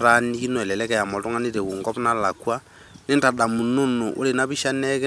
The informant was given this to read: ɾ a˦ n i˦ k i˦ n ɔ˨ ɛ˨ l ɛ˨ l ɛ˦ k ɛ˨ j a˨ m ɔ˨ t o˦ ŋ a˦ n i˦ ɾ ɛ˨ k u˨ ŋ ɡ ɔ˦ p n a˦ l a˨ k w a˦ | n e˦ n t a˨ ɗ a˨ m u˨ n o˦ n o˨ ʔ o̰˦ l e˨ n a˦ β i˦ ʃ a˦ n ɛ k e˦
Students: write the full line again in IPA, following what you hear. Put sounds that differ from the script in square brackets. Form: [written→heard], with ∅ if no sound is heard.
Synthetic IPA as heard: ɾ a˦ n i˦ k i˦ n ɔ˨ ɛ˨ l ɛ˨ l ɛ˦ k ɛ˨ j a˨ m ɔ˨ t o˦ ŋ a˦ n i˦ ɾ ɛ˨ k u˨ ŋ ɡ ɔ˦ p n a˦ l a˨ k w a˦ | n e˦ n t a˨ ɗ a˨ m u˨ n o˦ n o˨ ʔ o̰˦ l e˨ n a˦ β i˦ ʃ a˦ n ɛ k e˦